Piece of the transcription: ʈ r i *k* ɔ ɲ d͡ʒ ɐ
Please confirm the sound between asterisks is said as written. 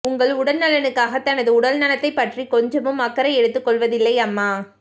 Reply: yes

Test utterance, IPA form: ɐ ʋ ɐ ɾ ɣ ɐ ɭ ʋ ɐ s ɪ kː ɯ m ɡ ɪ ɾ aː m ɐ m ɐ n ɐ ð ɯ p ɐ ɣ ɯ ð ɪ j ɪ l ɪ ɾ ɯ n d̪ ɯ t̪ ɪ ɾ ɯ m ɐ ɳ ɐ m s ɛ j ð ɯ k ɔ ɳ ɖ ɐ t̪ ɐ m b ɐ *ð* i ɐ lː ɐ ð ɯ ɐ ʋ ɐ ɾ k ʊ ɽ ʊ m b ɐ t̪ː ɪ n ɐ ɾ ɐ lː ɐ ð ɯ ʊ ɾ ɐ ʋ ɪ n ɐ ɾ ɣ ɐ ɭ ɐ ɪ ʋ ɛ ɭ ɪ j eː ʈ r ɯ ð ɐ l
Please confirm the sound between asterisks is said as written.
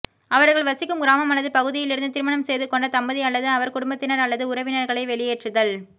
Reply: yes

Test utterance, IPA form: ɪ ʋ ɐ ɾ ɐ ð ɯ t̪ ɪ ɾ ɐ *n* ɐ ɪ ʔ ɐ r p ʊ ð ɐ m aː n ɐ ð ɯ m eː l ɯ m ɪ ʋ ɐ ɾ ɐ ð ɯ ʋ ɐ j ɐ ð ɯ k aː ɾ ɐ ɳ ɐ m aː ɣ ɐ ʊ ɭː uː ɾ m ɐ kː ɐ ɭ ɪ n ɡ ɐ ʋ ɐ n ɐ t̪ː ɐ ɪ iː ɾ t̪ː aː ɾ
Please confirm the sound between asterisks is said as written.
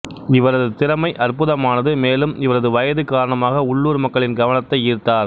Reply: no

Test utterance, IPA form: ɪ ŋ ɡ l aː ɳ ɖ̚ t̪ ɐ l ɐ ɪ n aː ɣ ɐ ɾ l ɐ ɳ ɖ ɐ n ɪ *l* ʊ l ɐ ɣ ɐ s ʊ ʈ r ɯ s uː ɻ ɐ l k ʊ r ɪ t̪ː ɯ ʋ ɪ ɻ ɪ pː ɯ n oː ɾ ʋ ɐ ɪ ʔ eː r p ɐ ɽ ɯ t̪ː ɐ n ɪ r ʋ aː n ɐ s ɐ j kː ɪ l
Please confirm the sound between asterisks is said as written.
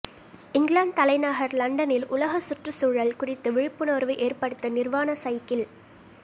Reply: yes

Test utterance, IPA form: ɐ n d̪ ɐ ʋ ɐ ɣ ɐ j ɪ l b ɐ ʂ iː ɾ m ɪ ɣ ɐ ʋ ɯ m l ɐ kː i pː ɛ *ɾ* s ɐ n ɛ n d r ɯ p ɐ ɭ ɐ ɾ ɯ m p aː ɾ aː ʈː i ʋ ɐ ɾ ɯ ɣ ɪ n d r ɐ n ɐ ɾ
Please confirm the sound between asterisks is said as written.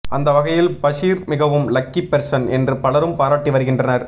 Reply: yes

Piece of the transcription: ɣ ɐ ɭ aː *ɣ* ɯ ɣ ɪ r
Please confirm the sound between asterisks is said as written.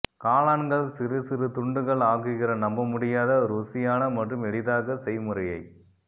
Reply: yes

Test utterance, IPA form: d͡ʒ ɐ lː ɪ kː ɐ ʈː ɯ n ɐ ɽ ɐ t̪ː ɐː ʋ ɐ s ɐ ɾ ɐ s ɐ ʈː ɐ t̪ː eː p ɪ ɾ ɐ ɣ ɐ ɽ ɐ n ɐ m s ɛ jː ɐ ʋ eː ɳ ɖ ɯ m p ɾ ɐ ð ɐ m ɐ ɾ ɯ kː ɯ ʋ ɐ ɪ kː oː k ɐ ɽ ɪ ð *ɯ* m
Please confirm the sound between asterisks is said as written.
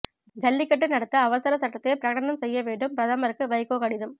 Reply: yes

